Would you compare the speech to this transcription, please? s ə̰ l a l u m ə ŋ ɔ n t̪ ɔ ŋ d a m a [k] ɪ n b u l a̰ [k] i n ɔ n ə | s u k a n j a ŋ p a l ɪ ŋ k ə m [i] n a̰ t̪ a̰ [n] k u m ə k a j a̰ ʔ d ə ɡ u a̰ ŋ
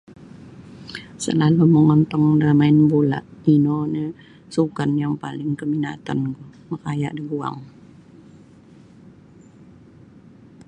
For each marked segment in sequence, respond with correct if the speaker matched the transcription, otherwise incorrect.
incorrect, incorrect, correct, correct

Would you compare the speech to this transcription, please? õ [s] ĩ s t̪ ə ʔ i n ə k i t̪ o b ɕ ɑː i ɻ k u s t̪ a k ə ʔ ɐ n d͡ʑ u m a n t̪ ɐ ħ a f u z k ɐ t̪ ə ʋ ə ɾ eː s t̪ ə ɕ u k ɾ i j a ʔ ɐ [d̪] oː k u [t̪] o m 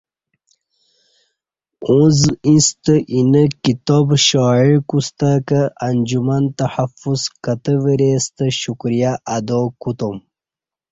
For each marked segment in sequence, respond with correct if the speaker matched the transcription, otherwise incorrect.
incorrect, correct, correct

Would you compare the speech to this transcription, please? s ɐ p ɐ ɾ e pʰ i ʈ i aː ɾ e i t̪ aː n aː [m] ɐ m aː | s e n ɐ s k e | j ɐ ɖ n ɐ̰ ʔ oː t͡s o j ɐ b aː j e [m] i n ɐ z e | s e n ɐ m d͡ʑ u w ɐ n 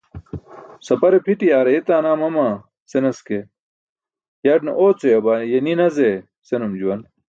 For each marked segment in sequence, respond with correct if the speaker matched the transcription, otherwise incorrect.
correct, incorrect

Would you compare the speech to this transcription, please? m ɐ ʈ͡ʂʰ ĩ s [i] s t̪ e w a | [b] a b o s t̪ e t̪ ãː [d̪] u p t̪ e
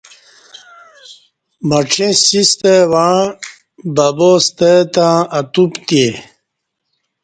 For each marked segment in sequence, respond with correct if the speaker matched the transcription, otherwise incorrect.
correct, correct, incorrect

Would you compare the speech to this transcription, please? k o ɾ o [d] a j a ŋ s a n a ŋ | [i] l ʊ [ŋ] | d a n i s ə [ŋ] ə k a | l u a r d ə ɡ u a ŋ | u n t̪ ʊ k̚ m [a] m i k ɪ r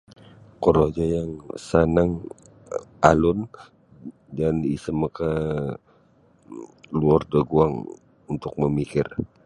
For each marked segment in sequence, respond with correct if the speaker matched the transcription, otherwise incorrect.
incorrect, incorrect, incorrect, incorrect, incorrect

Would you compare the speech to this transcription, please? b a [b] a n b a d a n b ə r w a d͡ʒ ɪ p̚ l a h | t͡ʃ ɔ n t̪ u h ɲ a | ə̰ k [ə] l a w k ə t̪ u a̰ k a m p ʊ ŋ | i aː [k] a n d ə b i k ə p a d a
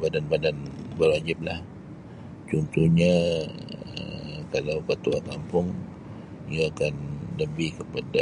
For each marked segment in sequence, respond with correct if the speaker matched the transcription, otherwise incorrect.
incorrect, incorrect, correct

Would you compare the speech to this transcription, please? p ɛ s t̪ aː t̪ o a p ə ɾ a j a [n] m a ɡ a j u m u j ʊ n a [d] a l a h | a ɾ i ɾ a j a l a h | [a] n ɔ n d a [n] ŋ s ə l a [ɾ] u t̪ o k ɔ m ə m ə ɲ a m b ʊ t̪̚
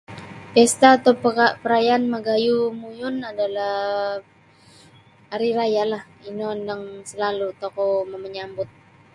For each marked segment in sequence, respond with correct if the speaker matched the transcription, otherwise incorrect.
correct, correct, incorrect, incorrect, incorrect

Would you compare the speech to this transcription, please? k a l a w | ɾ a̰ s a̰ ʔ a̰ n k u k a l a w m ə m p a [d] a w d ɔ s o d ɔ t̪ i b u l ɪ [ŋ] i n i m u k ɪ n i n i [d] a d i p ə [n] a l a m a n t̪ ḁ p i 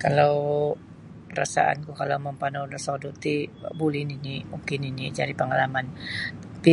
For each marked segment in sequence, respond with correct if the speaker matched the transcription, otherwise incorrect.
incorrect, incorrect, incorrect, incorrect

